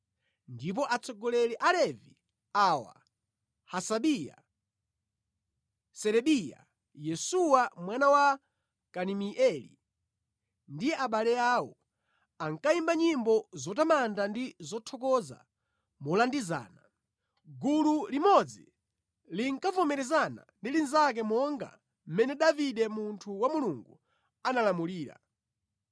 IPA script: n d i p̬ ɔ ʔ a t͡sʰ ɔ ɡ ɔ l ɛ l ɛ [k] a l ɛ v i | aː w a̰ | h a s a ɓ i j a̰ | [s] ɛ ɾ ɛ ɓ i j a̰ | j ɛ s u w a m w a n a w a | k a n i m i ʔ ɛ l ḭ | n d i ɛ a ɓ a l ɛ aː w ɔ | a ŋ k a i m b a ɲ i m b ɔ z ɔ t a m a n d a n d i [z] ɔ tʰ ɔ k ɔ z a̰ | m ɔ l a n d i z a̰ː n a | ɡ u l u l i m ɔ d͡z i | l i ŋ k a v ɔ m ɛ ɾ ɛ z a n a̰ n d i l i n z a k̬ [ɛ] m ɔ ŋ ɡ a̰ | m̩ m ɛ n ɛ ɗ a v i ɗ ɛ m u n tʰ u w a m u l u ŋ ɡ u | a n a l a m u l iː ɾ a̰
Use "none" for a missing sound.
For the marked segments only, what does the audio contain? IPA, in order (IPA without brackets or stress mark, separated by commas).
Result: ʔ, s, z, ɛ